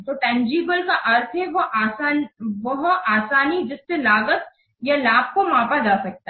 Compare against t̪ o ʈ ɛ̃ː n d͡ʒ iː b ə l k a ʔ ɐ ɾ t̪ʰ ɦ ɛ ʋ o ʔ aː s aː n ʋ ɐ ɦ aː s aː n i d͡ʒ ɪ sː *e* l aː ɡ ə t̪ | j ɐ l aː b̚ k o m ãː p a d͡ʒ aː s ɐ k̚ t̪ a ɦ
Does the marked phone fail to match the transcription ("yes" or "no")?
no